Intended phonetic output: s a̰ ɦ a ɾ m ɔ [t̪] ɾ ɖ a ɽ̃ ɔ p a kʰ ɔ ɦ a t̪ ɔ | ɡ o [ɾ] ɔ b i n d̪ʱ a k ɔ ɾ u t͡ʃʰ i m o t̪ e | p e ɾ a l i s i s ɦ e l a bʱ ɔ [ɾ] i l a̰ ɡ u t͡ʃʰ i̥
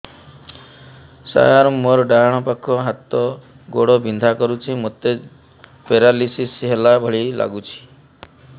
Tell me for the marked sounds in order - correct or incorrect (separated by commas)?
incorrect, incorrect, incorrect